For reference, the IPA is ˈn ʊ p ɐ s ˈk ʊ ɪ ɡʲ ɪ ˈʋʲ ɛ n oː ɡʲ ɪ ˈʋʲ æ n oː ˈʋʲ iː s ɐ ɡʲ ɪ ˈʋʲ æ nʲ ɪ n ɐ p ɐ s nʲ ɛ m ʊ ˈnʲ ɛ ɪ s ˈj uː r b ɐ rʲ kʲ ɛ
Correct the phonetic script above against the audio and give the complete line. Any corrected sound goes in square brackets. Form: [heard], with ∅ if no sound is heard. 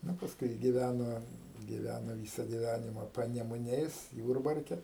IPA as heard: ˈn ʊ p ɐ s ˈk ʊ ɪ ɡʲ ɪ ˈʋʲ [æ] n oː ɡʲ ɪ ˈʋʲ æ n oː ˈʋʲ iː s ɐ ɡʲ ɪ ˈʋʲ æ nʲ ɪ [m] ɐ p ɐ [∅] nʲ ɛ m ʊ ˈnʲ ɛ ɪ s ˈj uː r b ɐ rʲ kʲ ɛ